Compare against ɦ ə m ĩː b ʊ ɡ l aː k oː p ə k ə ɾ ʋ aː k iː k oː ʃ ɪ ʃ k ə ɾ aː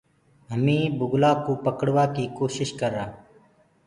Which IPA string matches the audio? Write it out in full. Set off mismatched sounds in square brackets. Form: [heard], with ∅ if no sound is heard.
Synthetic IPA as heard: ɦ ə m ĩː b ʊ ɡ l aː k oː p ə k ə [ɽ] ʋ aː k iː k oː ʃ ɪ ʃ k ə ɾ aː